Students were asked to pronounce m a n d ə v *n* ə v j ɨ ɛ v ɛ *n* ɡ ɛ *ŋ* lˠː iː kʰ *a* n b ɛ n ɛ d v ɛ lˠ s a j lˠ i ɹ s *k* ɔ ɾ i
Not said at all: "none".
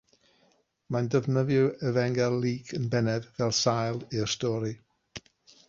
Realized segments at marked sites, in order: n, ŋ, none, ə, t

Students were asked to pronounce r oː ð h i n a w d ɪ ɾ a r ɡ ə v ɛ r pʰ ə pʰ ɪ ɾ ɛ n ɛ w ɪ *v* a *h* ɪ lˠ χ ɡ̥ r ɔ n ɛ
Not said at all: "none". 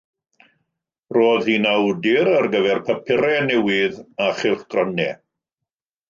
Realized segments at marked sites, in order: ð, χ

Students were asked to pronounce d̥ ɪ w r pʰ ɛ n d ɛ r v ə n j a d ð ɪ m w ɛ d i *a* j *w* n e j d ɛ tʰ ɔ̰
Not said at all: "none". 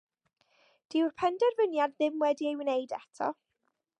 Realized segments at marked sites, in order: e, w

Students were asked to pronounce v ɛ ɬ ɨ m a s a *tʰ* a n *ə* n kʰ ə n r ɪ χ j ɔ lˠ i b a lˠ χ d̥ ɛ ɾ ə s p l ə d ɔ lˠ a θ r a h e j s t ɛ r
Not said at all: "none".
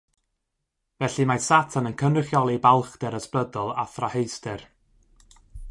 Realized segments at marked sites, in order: tʰ, ə

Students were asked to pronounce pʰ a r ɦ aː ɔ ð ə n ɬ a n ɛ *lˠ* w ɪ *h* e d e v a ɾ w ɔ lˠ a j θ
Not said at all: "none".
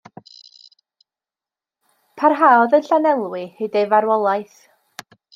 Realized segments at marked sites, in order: lˠ, h

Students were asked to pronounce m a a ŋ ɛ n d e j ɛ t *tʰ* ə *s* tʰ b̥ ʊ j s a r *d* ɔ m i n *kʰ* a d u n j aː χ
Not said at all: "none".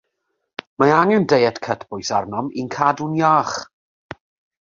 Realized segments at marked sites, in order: kʰ, none, n, kʰ

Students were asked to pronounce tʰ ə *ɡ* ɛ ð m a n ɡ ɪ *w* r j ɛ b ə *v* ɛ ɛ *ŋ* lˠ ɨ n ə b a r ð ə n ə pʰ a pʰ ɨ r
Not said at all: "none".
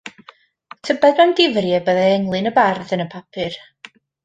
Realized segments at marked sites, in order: b, v, ð, ŋ

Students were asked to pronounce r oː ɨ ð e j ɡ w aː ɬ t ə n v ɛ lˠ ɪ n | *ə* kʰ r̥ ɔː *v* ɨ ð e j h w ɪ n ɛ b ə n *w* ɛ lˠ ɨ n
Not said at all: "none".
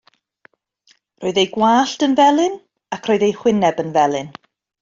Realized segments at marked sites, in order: a, none, v

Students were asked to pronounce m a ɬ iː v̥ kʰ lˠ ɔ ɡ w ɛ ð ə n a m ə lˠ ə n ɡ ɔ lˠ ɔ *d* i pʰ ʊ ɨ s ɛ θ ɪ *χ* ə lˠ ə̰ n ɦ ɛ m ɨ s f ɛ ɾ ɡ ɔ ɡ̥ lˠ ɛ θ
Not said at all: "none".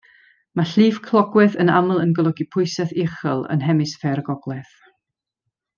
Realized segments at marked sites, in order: ɡ, χ

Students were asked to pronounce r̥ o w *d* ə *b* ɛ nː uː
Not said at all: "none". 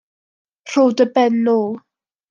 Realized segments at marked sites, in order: d, b

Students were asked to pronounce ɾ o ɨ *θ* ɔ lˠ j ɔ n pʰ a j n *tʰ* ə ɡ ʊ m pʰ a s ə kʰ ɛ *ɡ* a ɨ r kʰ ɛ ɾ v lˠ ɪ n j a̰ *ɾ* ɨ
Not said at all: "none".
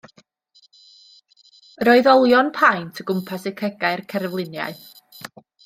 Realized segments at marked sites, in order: ð, tʰ, ɡ, none

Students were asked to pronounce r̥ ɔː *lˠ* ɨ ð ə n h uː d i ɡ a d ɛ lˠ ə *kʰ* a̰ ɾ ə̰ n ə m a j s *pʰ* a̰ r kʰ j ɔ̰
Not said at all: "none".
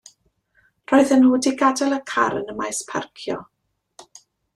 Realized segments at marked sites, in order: none, kʰ, pʰ

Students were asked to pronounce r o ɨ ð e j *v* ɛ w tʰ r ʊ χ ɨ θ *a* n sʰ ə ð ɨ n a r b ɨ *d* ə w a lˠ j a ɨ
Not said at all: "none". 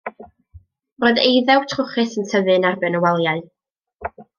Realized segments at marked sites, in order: ð, ə, n

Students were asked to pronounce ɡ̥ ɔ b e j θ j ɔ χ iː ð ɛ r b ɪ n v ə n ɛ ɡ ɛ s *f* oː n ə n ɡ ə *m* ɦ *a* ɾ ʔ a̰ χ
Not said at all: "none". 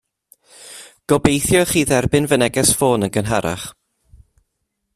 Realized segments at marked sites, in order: f, n, a

